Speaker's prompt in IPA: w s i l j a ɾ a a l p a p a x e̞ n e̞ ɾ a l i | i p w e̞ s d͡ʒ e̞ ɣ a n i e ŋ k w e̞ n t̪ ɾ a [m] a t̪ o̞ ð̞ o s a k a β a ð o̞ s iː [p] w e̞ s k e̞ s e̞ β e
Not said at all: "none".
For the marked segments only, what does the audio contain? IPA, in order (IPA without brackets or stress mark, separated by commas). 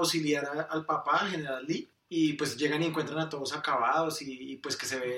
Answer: n, p